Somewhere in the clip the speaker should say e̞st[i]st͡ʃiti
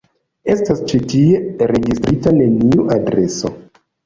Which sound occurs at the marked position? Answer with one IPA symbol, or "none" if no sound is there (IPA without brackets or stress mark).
a